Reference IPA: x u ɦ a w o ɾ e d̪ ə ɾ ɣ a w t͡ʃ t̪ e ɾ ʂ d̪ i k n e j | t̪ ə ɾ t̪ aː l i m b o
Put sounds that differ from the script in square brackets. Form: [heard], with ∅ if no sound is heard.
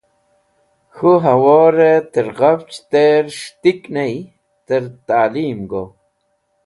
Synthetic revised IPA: x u ɦ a w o ɾ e [t̪] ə ɾ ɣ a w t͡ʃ t̪ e ɾ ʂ [t̪] i k n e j | t̪ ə ɾ t̪ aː l i m [ɡ] o